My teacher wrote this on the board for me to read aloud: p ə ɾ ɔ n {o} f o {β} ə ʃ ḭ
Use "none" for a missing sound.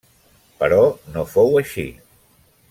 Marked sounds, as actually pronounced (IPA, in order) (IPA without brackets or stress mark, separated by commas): o, w